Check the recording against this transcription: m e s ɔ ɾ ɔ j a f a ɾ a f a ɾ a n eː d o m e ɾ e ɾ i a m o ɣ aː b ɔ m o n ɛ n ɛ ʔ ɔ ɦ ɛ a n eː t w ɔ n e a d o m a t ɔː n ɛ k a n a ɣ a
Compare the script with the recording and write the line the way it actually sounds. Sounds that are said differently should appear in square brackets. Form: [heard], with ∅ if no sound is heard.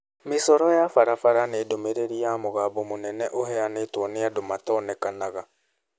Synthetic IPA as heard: m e s ɔ ɾ ɔ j a f a ɾ a f a ɾ a n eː d o m e ɾ e ɾ i a m o ɣ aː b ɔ m o n ɛ n ɛ ʔ [o] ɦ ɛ a n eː t w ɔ n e a d o m a t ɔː n ɛ k a n a ɣ a